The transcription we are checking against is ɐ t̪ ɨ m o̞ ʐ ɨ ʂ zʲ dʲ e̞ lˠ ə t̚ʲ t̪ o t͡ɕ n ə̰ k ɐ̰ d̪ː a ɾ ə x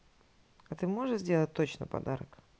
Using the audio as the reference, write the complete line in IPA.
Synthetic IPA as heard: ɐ t̪ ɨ m o̞ ʐ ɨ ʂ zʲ dʲ e̞ lˠ ə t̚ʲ t̪ o t͡ɕ n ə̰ p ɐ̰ d̪ a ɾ ə k